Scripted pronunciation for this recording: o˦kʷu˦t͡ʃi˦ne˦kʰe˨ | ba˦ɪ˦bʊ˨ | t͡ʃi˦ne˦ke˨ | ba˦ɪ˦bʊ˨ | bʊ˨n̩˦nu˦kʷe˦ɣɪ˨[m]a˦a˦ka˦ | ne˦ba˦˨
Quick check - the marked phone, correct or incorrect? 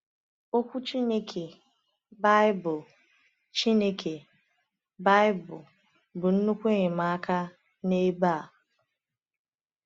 correct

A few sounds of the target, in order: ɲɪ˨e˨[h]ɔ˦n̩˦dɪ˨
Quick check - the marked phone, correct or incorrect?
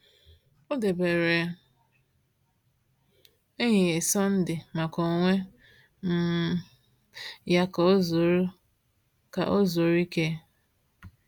incorrect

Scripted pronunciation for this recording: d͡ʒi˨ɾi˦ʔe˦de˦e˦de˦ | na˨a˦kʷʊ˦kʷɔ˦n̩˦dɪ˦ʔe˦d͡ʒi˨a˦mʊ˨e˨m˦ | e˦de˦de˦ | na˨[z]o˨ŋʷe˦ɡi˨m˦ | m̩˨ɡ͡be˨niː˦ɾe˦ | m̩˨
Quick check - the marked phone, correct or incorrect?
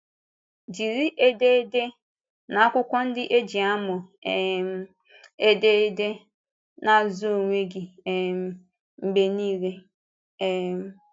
correct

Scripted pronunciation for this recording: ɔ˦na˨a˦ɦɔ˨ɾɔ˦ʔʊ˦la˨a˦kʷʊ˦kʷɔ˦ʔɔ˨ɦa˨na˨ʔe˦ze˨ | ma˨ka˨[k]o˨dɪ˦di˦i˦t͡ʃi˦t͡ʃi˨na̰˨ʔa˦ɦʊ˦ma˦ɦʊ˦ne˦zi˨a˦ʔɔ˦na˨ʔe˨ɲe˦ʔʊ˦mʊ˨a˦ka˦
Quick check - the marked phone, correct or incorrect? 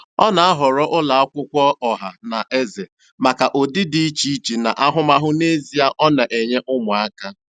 incorrect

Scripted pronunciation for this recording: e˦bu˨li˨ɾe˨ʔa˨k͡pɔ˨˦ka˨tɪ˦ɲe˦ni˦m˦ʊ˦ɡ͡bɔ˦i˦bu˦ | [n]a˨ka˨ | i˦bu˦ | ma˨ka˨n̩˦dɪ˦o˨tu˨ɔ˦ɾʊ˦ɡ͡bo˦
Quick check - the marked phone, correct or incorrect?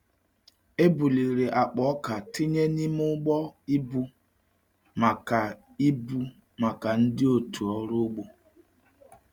incorrect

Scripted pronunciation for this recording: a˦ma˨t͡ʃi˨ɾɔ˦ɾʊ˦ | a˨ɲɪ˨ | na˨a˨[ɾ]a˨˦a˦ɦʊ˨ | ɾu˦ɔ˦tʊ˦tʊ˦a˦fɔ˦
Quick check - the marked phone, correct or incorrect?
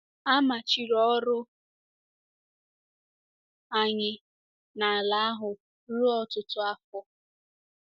incorrect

